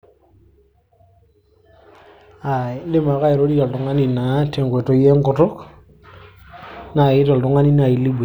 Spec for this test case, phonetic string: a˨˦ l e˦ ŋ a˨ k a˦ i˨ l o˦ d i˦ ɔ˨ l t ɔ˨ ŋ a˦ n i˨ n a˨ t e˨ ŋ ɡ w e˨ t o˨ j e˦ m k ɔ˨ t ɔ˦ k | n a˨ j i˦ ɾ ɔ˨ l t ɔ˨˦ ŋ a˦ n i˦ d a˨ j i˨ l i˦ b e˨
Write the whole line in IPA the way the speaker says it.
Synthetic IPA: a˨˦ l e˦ m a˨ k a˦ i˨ ɾ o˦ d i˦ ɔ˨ l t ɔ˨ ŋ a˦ n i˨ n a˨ t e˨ ŋ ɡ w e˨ t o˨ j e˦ ŋ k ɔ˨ t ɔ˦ k | n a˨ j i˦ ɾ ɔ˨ l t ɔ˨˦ ŋ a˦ n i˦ n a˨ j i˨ l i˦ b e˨